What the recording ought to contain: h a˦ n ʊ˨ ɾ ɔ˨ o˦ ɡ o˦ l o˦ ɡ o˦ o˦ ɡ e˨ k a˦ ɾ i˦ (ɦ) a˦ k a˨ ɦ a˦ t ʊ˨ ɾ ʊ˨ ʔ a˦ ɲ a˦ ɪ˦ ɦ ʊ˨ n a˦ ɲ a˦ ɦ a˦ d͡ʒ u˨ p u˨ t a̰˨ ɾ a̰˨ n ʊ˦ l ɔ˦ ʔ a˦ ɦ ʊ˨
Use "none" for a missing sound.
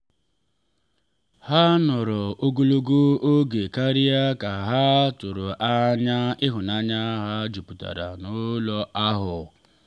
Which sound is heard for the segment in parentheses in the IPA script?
none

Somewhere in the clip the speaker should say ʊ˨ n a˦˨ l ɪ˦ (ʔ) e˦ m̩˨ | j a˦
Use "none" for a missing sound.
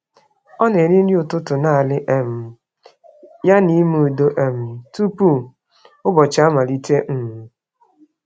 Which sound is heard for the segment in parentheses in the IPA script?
ʔ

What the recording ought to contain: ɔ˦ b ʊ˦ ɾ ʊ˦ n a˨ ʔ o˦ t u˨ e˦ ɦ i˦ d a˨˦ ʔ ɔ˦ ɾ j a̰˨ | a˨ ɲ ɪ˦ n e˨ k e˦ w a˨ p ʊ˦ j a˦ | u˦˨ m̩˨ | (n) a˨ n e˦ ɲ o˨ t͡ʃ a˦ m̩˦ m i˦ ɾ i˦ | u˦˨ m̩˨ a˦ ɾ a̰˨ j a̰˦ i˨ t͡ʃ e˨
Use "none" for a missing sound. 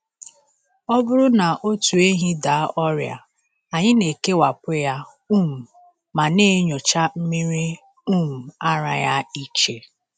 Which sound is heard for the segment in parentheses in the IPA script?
m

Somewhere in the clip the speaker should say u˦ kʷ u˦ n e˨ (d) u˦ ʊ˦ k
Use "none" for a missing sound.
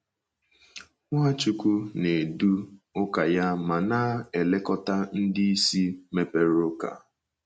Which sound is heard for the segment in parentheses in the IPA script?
d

